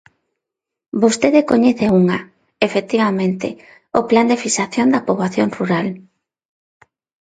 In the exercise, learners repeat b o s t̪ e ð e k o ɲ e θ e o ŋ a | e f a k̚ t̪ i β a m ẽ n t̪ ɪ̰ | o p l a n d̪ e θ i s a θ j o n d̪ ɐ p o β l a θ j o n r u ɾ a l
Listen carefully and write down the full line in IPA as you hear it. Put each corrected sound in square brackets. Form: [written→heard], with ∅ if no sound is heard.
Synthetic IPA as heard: b o s t̪ e ð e k o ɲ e θ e [o→u] ŋ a | e f [a→e] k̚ t̪ i β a m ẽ n t̪ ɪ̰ | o p l a n d̪ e [θ→f] i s a θ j o n d̪ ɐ p o β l a θ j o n r u ɾ a l

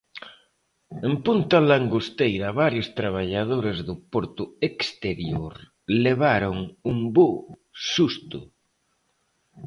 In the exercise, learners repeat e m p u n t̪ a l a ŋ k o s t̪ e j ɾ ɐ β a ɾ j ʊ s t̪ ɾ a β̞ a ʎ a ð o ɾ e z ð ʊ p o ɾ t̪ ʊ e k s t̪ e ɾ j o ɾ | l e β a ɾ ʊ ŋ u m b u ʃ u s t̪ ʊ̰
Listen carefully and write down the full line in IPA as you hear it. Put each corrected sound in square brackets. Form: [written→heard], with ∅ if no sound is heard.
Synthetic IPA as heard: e m p u n t̪ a l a ŋ [k→ɡ] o s t̪ e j ɾ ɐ β a ɾ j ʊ s t̪ ɾ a β̞ a ʎ a ð o ɾ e z ð ʊ p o ɾ t̪ ʊ e k s t̪ e ɾ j o ɾ | l e β a ɾ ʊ ŋ u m b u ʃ u s t̪ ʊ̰

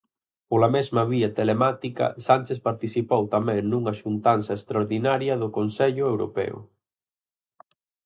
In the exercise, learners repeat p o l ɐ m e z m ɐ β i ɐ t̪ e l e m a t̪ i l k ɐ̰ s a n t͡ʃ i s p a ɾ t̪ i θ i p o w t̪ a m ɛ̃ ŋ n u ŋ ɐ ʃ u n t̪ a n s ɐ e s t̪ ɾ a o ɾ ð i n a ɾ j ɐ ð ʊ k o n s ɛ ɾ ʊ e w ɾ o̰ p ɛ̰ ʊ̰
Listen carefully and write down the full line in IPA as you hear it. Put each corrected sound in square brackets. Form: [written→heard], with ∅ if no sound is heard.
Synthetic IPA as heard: p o l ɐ m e z m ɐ β i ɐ t̪ e l e m a t̪ i [l→∅] k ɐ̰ s a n t͡ʃ [i→e] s p a ɾ t̪ i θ i p o w t̪ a m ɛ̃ ŋ n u ŋ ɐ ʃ u n t̪ a n s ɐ e s t̪ ɾ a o ɾ ð i n a ɾ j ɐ ð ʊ k o n s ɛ [ɾ→ʎ] ʊ e w ɾ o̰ p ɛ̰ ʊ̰

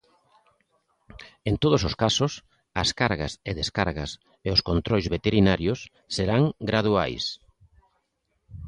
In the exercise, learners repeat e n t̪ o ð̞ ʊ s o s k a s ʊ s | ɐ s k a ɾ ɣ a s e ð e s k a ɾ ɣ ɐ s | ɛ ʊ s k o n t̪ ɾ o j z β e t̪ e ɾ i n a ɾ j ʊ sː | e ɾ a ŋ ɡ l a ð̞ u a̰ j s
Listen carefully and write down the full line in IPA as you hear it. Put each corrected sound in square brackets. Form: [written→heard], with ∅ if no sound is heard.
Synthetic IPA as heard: e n t̪ o ð̞ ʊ s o s k a s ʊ s | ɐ s k a ɾ ɣ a s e ð e s k a ɾ ɣ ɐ s | [ɛ→e] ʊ s k o n t̪ ɾ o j z β e t̪ e ɾ i n a ɾ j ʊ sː | e ɾ a ŋ ɡ [l→ɾ] a ð̞ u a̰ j s

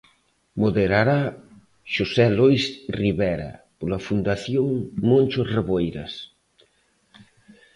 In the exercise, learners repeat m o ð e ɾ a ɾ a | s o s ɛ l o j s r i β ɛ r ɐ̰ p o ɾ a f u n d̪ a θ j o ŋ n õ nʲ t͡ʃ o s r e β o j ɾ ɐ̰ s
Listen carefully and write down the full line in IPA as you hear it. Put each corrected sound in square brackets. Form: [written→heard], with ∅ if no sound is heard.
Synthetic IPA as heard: m o ð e ɾ a ɾ a | [s→ʃ] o s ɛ l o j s r i β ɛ [r→ɾ] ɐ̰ p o [ɾ→l] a f u n d̪ a θ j o ŋ [n→m] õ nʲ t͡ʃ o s r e β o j ɾ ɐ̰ s

